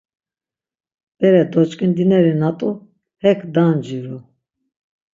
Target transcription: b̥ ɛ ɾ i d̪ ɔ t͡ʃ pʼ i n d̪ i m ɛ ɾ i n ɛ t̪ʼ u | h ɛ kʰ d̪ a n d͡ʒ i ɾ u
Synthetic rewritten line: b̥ ɛ ɾ ɛ d̪ ɔ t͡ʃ kʼ i n d̪ i n ɛ ɾ i n a t̪ʼ u | h ɛ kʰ d̪ a n d͡ʒ i ɾ u